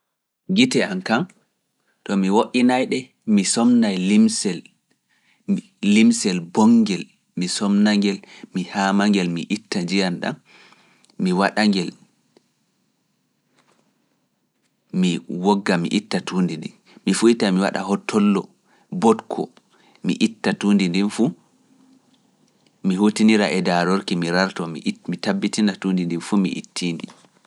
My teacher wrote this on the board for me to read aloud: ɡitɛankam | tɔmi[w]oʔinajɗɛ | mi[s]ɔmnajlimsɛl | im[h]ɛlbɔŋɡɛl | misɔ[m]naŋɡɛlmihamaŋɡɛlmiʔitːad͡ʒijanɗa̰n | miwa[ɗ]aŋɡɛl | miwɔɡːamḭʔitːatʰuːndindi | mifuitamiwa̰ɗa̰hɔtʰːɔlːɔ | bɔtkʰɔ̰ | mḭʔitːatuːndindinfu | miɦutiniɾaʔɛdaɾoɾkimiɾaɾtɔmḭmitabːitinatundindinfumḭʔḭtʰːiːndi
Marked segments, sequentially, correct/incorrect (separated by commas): correct, correct, incorrect, correct, correct